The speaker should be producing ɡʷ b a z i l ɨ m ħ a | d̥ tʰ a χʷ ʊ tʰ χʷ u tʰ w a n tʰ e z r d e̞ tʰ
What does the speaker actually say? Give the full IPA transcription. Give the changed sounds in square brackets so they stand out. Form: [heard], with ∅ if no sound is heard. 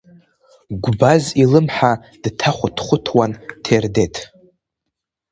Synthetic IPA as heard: ɡʷ b a z i l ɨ m ħ a | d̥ tʰ a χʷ ʊ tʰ χʷ [ʊ] tʰ w a n tʰ e [∅] r d e̞ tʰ